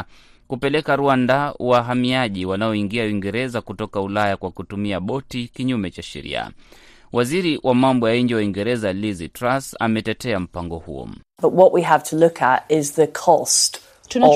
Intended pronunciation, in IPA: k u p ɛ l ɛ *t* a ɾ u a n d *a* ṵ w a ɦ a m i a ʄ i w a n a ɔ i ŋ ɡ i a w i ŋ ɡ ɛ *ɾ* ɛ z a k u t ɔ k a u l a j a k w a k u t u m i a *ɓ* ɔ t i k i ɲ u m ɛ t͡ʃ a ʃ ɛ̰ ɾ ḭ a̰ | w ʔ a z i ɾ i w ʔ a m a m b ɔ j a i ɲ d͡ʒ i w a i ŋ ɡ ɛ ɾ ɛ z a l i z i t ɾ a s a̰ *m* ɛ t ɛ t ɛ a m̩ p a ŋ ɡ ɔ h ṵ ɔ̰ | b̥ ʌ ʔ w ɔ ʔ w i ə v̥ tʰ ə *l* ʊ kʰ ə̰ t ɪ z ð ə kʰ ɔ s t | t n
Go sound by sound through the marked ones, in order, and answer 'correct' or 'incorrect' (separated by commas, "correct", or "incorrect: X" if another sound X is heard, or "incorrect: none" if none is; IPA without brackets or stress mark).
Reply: incorrect: k, correct, correct, correct, correct, correct